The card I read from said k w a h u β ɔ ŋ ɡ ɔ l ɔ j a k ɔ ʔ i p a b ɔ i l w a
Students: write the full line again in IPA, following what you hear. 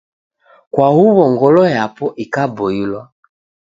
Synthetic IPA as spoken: k w a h u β ɔ ŋ ɡ ɔ l ɔ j a p ɔ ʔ i k a b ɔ i l w a